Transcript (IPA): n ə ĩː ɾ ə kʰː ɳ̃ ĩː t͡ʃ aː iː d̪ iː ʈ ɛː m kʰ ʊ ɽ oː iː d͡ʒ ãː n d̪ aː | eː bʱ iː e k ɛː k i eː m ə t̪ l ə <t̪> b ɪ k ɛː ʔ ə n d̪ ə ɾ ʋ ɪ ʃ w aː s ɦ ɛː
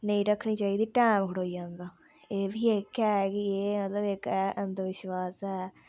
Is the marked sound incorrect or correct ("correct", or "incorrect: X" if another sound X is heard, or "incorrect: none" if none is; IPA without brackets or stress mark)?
incorrect: none